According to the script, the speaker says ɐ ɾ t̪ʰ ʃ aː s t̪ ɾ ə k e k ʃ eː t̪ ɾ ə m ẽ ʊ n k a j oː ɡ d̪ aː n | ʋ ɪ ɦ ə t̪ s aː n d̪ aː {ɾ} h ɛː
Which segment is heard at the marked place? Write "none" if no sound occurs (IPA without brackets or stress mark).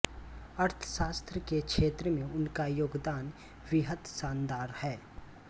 ɾ